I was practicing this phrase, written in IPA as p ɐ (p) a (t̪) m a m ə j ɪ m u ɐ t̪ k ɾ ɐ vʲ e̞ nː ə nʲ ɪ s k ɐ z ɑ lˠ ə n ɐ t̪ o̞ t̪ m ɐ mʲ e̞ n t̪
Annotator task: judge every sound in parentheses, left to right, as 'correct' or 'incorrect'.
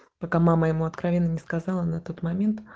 incorrect: k, incorrect: none

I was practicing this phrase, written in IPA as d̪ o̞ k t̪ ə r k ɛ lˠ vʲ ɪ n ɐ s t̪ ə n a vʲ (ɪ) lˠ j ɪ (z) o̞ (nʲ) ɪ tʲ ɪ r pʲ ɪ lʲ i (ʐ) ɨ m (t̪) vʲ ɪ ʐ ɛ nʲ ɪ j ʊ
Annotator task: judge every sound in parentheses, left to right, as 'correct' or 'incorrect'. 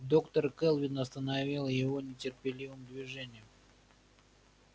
incorrect: i, incorrect: v, correct, incorrect: v, incorrect: d̪

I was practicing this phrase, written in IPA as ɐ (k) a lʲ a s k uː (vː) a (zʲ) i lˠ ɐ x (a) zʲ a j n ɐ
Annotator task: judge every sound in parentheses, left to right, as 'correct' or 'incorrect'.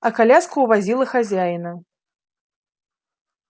correct, incorrect: v, correct, correct

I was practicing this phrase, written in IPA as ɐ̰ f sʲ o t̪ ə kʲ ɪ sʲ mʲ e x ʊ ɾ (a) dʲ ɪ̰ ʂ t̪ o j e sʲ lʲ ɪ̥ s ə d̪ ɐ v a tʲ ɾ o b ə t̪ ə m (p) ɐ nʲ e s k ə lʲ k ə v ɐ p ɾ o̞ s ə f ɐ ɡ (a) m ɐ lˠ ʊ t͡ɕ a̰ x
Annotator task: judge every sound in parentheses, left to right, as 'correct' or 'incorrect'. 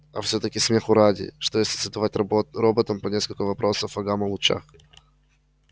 correct, correct, correct

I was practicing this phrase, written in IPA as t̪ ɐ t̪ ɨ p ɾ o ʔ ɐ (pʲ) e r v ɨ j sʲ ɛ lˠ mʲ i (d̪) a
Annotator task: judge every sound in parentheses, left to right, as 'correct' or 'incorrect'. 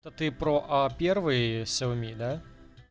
correct, correct

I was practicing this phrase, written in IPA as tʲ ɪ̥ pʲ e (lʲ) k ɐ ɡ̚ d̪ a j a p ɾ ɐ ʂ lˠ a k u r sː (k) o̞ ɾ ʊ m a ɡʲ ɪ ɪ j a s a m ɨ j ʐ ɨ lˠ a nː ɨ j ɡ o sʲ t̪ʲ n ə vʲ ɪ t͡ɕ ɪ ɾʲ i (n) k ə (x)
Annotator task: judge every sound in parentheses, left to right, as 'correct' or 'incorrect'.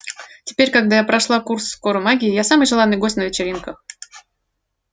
incorrect: ɾʲ, correct, correct, correct

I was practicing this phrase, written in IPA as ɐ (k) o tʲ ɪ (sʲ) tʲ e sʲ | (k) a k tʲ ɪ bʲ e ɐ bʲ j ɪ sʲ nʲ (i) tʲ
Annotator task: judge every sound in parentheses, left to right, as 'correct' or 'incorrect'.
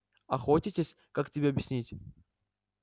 incorrect: x, incorrect: none, correct, correct

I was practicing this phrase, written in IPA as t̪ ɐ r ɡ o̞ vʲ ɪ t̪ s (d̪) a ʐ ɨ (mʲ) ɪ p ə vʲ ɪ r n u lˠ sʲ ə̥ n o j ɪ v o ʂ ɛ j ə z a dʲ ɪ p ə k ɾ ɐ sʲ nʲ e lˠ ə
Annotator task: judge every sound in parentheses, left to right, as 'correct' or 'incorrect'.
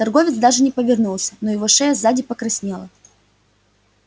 correct, incorrect: nʲ

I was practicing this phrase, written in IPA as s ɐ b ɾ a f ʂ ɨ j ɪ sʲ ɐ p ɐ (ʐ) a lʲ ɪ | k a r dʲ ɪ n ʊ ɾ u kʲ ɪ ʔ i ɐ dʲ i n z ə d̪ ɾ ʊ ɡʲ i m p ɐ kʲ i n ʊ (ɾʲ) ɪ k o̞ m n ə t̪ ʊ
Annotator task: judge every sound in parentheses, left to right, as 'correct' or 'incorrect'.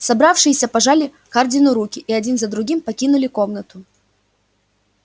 correct, incorrect: lʲ

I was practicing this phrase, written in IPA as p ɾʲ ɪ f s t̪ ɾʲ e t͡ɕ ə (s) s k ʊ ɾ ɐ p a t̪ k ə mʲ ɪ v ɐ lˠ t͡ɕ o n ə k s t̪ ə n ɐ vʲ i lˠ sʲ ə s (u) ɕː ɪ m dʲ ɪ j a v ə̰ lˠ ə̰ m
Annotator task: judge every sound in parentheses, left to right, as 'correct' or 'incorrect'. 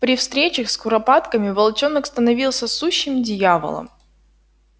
incorrect: x, correct

